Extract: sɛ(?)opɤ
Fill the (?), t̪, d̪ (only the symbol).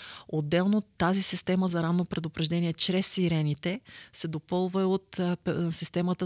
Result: d̪